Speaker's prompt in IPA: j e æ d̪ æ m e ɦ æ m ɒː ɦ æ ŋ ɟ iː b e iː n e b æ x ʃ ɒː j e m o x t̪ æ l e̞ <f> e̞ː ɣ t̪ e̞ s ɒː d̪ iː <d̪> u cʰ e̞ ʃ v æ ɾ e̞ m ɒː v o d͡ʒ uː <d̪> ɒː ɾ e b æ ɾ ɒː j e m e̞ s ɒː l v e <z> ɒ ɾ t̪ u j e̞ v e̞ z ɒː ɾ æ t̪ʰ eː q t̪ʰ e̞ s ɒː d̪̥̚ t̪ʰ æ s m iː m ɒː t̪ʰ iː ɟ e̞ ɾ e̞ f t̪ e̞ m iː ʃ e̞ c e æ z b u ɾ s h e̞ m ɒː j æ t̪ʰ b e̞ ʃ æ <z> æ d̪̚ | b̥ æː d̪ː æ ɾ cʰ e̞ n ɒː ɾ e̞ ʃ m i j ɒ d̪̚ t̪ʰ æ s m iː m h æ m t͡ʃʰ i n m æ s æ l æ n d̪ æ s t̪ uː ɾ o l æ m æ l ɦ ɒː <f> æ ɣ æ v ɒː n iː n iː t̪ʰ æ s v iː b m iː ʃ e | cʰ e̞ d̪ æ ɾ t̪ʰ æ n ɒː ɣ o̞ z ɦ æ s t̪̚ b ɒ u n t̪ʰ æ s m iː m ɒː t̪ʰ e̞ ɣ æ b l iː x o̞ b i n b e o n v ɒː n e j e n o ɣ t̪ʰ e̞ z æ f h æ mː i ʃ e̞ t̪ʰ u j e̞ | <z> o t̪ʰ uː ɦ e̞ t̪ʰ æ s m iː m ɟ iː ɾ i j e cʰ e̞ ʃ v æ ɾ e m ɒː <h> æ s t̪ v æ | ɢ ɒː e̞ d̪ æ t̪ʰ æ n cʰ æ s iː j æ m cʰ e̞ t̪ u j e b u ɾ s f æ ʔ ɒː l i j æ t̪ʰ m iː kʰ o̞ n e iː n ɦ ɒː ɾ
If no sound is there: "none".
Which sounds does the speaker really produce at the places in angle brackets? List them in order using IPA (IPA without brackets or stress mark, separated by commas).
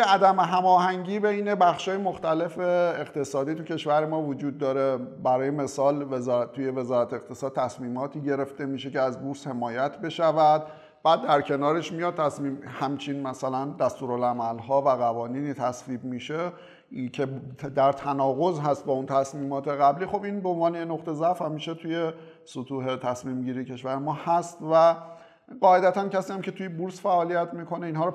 f, t̪, d̪ː, z, v, v, s, h